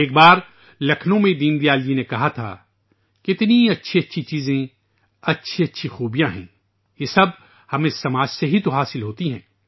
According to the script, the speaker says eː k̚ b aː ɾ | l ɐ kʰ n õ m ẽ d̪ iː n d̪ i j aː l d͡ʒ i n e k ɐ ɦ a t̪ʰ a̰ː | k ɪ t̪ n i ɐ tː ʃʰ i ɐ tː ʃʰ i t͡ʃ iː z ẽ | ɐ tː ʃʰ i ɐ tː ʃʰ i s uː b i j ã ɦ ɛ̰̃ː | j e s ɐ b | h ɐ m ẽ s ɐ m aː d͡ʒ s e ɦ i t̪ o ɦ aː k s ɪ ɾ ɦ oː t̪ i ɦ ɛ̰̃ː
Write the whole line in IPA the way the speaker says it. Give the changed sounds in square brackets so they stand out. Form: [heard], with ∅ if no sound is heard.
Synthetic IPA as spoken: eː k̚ b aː ɾ | l ɐ kʰ n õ m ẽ d̪ iː n d̪ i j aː l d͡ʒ i n e k ɐ ɦ a t̪ʰ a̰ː | k ɪ t̪ n i ɐ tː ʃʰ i ɐ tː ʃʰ i t͡ʃ iː z ẽ | ɐ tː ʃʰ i ɐ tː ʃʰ i [x] uː b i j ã ɦ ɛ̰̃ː | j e s ɐ b | h ɐ m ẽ s ɐ m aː d͡ʒ s e ɦ i t̪ o ɦ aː [∅] s ɪ [l] ɦ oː t̪ i ɦ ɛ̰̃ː